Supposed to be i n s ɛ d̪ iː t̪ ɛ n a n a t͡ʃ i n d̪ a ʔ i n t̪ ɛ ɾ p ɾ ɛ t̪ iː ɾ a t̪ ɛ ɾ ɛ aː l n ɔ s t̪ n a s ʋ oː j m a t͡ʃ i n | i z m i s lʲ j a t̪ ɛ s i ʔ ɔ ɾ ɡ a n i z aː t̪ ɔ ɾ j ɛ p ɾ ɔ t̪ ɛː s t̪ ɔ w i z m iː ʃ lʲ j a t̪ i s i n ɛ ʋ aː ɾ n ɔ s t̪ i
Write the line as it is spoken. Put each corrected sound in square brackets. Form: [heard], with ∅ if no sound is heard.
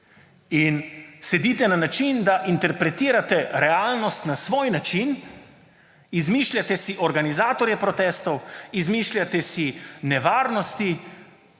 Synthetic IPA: i n s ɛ d̪ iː t̪ ɛ n a n a t͡ʃ i n d̪ a ʔ i n t̪ ɛ ɾ p ɾ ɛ t̪ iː ɾ a t̪ ɛ ɾ ɛ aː l n ɔ s t̪ n a s ʋ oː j [n] a t͡ʃ i n | i z m i [ʃ] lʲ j a t̪ ɛ s i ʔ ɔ ɾ ɡ a n i z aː t̪ ɔ ɾ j ɛ p ɾ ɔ t̪ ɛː s t̪ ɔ w i z m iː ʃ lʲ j a t̪ [ɛ] s i n ɛ ʋ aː ɾ n ɔ s t̪ i